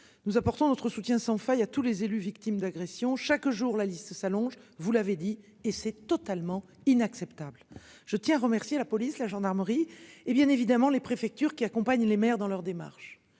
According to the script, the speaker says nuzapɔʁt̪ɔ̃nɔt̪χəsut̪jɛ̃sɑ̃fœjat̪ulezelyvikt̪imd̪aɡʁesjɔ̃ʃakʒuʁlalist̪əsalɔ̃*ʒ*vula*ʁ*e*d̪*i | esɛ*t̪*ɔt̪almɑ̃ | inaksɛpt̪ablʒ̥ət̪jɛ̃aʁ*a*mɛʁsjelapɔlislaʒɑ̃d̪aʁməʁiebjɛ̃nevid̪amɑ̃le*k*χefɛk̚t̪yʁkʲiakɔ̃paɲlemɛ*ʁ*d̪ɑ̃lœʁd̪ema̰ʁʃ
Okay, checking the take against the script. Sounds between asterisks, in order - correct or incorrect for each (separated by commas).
correct, incorrect, correct, correct, incorrect, incorrect, correct